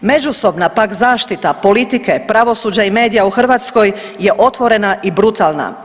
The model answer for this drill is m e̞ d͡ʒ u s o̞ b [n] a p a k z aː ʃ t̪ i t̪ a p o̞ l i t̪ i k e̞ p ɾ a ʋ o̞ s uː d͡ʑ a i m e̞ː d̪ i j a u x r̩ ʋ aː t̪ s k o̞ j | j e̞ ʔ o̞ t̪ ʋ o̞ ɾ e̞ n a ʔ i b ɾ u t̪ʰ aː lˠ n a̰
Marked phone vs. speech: correct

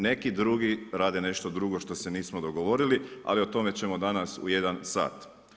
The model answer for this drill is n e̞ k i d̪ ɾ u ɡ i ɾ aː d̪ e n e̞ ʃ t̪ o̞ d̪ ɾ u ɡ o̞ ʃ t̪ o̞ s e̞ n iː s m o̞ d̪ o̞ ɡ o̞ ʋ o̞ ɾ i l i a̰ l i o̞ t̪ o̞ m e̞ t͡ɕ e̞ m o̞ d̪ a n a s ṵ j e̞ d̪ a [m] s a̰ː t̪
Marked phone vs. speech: incorrect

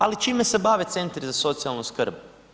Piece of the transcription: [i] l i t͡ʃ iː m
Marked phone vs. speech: incorrect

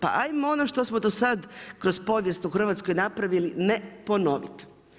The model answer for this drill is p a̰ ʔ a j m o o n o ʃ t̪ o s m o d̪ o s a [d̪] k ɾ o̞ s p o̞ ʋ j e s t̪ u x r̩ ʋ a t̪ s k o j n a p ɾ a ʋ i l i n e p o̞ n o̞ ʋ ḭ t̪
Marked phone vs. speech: correct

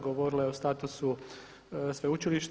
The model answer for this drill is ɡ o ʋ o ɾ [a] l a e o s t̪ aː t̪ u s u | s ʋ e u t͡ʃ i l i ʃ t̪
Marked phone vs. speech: incorrect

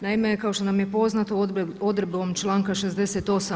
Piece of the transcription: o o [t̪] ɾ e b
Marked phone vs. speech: incorrect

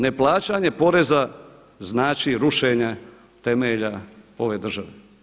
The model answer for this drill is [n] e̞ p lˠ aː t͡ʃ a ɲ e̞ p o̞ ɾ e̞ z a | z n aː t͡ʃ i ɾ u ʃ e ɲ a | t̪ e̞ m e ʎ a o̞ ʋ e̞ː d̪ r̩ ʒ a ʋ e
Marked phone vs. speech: correct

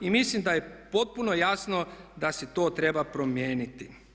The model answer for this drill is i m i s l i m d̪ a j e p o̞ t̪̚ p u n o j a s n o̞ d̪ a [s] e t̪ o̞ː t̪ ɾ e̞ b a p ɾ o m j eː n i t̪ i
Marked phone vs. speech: correct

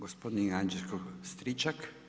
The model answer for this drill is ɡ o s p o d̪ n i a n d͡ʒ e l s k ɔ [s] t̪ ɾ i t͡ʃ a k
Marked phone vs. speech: correct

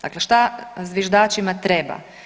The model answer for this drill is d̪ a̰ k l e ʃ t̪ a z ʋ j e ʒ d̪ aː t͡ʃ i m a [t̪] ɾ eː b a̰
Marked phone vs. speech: correct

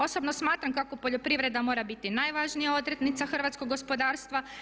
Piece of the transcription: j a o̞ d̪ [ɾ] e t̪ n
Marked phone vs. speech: correct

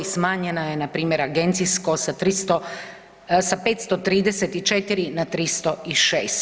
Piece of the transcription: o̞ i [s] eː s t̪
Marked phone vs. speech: incorrect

